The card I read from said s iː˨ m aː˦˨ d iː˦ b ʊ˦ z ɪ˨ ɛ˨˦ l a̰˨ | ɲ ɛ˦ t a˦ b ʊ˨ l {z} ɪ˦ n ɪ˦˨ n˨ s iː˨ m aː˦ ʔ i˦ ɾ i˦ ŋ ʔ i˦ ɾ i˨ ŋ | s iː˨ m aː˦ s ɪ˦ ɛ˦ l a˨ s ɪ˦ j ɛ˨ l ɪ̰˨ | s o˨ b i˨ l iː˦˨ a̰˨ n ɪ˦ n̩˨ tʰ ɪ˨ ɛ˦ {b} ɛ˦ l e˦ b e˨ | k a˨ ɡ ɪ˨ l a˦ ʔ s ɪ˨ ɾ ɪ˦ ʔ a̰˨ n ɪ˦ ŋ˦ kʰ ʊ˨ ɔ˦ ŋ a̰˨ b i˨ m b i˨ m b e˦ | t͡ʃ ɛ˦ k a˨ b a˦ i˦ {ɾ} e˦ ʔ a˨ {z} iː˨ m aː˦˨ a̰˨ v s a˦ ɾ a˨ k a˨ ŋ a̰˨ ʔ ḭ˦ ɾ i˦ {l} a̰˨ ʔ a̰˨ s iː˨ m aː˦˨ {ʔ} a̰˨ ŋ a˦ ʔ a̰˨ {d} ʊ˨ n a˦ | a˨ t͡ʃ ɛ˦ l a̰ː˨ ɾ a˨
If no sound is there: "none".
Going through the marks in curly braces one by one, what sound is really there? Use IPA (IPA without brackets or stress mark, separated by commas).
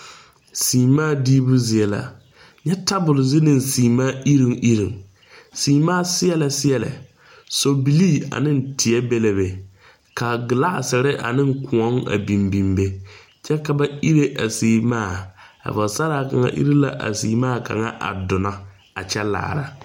z, b, ɾ, s, l, k, d